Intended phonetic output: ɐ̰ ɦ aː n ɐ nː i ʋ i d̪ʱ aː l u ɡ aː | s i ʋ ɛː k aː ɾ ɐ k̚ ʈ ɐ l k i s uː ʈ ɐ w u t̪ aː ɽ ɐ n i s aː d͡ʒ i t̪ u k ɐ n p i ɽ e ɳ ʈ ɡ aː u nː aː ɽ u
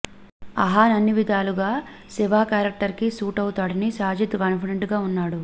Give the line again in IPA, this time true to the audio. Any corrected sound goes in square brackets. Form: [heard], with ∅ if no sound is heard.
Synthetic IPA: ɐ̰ ɦ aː n ɐ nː i ʋ i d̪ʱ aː l u ɡ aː | s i ʋ [aː] k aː ɾ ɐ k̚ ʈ ɐ [ɾ] k i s uː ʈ ɐ w u t̪ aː ɽ ɐ n i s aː d͡ʒ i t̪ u k ɐ n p i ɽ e ɳ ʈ ɡ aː u nː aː ɽ u